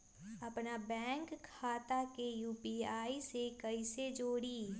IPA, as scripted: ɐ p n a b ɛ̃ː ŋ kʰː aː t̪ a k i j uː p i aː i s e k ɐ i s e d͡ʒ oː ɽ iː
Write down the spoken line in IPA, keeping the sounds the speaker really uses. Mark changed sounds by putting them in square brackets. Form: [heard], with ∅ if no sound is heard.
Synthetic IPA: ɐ p n a b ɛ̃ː ŋ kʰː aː t̪ a k [e] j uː p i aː i s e k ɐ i s e d͡ʒ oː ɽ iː